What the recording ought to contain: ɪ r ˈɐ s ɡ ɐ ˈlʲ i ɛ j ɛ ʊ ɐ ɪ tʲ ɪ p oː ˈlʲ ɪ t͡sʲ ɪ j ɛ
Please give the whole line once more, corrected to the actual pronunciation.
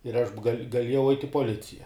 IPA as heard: ɪ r ˈɐ ʃ ɡ ɐ ˈlʲ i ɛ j ɛ ʊ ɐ ɪ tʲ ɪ p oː ˈlʲ ɪ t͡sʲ ɪ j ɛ